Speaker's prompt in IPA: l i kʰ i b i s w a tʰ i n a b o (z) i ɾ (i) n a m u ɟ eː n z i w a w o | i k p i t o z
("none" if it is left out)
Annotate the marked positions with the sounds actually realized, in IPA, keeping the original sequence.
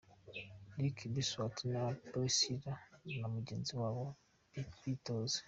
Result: s, a

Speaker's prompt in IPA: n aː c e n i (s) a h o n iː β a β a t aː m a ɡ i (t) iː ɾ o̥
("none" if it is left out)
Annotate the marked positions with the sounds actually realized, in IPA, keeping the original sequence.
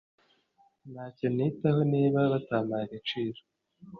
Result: t, t͡ʃ

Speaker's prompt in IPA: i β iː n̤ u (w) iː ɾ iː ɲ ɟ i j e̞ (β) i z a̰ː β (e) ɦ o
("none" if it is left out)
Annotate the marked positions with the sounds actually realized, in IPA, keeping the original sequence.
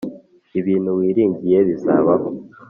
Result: w, β, a

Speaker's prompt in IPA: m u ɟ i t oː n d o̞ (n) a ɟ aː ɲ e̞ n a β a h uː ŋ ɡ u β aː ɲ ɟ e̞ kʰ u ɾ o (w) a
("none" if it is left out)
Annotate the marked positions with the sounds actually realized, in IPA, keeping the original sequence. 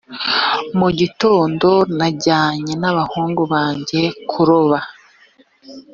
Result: n, β

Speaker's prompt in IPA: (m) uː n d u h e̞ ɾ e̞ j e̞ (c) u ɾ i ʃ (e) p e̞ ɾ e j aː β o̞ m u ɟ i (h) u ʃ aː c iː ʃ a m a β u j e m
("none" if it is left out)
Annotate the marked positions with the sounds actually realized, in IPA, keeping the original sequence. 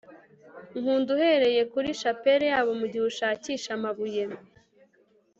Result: ŋ, k, a, h

